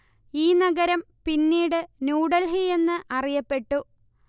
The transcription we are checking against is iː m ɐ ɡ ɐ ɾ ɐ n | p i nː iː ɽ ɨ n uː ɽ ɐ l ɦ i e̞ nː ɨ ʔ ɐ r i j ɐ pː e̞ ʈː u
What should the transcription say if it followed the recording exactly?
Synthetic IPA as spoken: iː n ɐ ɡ ɐ ɾ ɐ m | p i nː iː ɽ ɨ n uː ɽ ɐ l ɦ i e̞ nː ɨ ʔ ɐ r i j ɐ pː e̞ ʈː u